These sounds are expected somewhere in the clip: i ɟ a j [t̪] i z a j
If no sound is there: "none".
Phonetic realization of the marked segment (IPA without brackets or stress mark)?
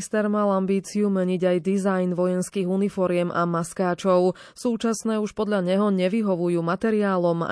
d̪